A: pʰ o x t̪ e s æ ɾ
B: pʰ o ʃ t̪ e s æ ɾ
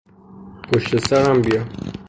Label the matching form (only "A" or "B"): B